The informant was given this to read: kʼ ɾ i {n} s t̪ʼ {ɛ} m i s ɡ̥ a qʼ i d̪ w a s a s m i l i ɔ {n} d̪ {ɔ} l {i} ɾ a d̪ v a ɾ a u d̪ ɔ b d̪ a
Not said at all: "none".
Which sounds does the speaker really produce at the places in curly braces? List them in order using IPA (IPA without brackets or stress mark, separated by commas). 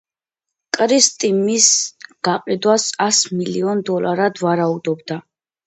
none, i, n, ɔ, a